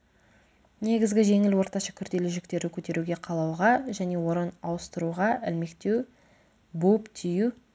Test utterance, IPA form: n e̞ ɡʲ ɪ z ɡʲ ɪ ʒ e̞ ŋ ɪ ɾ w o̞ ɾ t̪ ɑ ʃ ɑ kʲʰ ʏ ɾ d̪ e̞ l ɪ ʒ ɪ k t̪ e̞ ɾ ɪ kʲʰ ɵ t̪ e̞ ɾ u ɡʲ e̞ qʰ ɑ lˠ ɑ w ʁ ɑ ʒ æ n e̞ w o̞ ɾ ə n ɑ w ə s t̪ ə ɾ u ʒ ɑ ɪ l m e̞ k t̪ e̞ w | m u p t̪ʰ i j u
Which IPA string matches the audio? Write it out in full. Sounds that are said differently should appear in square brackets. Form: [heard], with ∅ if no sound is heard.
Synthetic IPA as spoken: n e̞ ɡʲ ɪ z ɡʲ ɪ ʒ e̞ ŋ ɪ [l] w o̞ ɾ t̪ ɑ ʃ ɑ kʲʰ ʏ ɾ d̪ e̞ l ɪ ʒ ɪ k t̪ e̞ ɾ ɪ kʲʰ ɵ t̪ e̞ ɾ u ɡʲ e̞ qʰ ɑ lˠ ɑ w ʁ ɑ ʒ æ n e̞ w o̞ ɾ ə n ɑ w ə s t̪ ə ɾ u [ʁ] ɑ ɪ l m e̞ k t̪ e̞ w | [b] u p t̪ʰ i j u